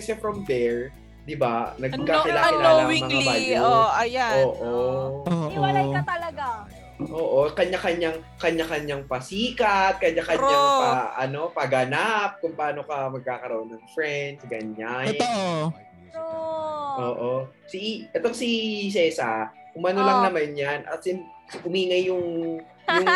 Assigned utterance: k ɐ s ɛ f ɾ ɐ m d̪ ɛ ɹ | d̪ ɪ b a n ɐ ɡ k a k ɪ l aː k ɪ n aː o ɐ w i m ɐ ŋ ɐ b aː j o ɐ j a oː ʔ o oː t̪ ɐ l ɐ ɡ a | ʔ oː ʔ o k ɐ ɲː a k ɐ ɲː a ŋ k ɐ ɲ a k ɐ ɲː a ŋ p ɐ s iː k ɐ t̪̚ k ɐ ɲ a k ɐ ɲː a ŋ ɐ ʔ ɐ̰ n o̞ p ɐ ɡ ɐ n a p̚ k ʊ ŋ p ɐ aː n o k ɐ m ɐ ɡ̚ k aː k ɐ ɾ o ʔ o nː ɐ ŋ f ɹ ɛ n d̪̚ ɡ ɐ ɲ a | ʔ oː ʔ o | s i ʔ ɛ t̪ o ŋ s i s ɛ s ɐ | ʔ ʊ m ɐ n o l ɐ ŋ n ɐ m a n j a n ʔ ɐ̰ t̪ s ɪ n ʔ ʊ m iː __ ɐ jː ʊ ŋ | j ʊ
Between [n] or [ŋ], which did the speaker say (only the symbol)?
ŋ